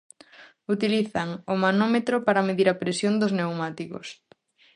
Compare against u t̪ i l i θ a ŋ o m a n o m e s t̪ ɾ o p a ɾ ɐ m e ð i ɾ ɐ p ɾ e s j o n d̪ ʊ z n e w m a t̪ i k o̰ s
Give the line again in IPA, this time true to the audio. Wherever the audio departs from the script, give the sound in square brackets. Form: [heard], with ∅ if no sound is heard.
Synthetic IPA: u t̪ i l i θ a ŋ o m a n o m e [∅] t̪ ɾ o p a ɾ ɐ m e ð i ɾ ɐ p ɾ e s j o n d̪ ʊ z n e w m a t̪ i k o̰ s